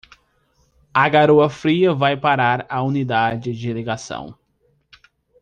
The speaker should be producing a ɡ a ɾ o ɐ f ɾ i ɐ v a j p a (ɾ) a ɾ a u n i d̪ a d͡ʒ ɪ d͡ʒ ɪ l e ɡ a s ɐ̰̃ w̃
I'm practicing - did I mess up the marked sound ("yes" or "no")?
no